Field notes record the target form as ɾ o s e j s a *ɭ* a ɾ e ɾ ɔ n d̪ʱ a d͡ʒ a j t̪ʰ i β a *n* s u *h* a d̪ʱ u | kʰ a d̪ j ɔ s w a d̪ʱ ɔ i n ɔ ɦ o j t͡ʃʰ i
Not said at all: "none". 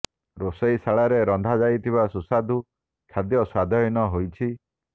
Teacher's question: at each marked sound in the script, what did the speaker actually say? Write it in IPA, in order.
ɭ, none, s

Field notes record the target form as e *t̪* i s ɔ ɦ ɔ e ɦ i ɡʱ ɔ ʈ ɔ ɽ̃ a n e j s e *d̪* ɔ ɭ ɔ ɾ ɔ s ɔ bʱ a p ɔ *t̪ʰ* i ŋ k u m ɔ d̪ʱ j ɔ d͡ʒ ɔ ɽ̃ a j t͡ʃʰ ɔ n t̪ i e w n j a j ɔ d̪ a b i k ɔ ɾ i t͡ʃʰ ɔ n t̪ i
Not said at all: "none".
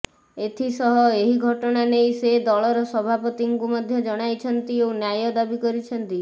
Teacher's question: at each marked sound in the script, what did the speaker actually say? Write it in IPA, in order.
t̪ʰ, d̪, t̪

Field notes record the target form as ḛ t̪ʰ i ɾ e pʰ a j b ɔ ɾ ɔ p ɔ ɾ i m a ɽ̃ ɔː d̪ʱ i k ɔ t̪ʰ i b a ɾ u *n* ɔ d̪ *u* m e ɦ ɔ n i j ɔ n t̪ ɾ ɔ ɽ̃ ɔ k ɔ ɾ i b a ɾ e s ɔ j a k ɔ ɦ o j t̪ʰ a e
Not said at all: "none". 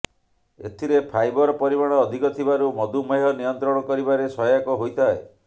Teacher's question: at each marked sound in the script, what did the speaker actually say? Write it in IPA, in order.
m, u

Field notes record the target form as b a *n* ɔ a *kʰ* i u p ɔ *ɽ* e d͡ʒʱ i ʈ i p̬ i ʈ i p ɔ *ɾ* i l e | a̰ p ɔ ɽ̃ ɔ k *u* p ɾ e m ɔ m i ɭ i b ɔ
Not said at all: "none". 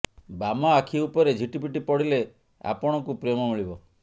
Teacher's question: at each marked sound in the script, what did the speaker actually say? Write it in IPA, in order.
m, kʰ, ɾ, ɽ, u

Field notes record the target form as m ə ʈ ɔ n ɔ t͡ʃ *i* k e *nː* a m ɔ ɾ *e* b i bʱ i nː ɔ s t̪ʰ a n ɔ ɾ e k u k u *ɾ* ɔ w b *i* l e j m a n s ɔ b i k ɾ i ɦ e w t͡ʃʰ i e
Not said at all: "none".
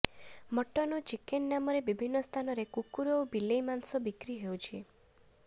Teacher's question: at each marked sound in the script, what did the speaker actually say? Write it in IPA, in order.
i, nː, e, ɾ, i

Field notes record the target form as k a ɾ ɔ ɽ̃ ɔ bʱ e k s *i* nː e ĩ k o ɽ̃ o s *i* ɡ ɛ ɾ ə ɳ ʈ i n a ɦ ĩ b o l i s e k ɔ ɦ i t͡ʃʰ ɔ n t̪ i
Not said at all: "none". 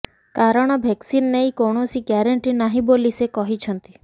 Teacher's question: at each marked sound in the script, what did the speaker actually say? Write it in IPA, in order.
i, i

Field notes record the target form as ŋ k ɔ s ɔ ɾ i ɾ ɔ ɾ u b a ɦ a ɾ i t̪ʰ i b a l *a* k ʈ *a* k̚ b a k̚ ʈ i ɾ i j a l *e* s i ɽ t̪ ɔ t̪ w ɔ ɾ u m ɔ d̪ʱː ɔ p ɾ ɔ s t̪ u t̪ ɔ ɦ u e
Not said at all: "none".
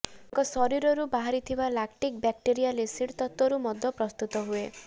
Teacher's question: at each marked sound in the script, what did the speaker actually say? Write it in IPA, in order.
a, i, e

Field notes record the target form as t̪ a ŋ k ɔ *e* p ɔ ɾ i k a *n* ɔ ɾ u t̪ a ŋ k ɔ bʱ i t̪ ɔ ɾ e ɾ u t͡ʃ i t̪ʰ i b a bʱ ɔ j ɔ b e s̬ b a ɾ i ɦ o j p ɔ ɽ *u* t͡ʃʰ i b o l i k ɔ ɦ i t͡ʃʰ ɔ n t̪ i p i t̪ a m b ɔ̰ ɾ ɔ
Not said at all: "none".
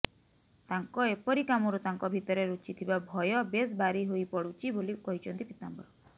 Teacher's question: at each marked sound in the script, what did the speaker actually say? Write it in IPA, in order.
e, m, u

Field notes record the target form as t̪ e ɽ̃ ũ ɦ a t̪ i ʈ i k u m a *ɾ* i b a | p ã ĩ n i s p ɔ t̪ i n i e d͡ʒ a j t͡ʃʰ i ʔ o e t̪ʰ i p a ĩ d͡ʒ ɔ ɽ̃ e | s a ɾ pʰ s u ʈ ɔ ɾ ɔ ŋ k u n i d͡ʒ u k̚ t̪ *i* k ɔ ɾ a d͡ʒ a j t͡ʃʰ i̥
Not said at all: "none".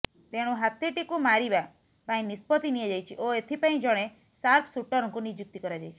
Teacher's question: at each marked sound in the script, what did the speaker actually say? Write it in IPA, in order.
ɾ, i

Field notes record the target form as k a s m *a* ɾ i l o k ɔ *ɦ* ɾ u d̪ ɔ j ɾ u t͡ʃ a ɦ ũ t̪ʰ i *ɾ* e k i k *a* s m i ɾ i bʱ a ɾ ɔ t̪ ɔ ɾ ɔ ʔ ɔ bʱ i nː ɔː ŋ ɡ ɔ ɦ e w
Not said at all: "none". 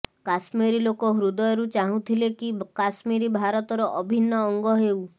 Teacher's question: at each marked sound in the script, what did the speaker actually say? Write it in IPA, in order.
i, ɦ, l, a

